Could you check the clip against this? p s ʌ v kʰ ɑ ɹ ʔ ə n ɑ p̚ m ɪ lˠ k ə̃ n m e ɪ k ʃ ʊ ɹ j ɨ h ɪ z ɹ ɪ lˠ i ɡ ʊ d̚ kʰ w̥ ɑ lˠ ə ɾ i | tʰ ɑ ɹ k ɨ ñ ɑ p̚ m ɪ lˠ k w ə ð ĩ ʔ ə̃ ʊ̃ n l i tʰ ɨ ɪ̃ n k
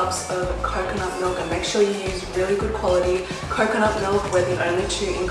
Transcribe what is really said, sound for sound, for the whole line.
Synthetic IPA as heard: p s ʌ v kʰ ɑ ɹ k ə n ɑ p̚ m ɪ lˠ k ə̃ n m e ɪ k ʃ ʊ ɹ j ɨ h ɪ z ɹ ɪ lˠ i ɡ ʊ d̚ kʰ w̥ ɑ lˠ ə ɾ i | kʰ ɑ ɹ k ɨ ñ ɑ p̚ m ɪ lˠ k w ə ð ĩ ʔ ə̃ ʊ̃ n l i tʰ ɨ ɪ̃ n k